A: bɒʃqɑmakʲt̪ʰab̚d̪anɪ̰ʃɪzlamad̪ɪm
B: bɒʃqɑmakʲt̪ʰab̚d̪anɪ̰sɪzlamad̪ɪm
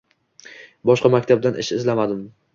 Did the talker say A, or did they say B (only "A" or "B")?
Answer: A